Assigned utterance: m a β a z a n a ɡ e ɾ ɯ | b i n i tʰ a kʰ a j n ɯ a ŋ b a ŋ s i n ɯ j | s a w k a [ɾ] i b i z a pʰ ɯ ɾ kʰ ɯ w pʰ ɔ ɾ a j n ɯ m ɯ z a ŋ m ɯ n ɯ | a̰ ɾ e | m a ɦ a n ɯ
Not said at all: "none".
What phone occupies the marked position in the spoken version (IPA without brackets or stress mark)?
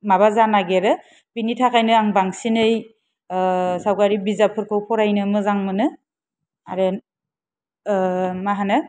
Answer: ɾ